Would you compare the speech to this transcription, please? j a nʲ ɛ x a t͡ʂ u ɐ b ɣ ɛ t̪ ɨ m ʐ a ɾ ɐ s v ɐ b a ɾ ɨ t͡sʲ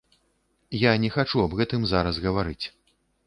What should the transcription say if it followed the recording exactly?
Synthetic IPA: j a nʲ ɛ x a t͡ʂ u ɐ b ɣ ɛ t̪ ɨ m z a ɾ ɐ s ɣ ɐ v a ɾ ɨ t͡sʲ